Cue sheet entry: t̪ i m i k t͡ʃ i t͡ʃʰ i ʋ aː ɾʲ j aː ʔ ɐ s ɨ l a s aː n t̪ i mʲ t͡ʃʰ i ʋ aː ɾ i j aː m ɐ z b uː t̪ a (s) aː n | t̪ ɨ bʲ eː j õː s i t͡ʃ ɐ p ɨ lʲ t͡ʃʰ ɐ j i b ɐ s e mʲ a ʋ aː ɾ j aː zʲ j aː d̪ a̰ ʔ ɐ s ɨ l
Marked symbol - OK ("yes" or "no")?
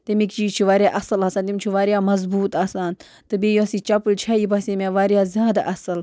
yes